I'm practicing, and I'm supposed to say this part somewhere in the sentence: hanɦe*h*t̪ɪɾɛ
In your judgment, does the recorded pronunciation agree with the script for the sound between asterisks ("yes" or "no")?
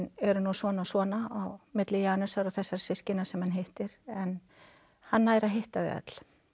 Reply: yes